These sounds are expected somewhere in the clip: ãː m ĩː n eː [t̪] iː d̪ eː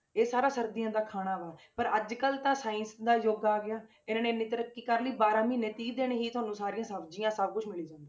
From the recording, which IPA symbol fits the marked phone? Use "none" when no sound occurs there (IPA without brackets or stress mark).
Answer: t̪